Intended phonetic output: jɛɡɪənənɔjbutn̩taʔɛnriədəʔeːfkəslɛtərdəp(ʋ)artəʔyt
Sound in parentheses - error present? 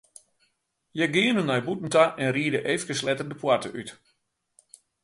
yes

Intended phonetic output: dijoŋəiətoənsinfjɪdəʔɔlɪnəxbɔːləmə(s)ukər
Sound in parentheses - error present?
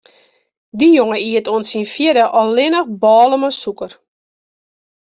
no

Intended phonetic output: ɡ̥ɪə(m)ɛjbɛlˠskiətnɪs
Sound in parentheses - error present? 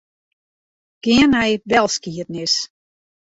yes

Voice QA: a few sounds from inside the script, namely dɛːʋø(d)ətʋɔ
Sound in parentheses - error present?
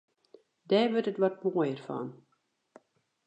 yes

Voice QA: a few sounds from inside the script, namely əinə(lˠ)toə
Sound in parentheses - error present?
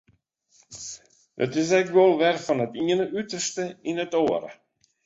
yes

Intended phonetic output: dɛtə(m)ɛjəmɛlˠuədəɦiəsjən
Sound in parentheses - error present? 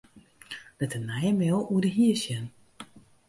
yes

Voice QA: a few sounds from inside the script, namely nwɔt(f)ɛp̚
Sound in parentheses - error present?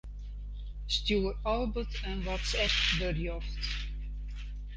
yes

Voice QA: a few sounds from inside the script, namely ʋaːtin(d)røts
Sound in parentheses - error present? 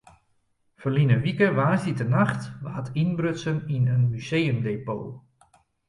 yes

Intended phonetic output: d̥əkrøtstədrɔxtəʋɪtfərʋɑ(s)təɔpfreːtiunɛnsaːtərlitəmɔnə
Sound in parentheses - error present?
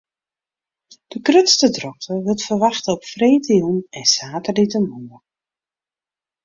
yes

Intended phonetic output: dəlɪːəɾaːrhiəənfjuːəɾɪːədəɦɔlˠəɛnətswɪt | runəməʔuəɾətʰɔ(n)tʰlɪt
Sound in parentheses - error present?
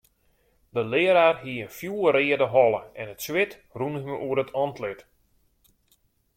no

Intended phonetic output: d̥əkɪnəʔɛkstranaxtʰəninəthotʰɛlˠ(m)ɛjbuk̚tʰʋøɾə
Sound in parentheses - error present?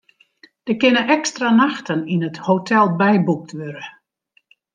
yes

